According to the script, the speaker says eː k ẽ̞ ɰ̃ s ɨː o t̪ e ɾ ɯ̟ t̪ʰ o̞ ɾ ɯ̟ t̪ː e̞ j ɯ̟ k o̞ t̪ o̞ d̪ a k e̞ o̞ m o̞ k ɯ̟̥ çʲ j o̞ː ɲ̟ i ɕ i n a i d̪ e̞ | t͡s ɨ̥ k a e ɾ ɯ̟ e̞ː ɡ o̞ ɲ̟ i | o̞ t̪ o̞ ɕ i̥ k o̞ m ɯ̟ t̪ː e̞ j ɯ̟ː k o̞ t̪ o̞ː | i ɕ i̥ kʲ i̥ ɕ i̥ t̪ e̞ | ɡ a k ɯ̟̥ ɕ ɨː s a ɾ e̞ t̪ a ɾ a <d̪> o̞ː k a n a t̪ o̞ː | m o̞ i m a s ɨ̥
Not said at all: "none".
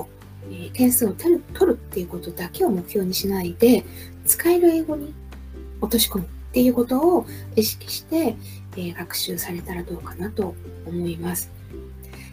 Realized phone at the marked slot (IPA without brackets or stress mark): d̪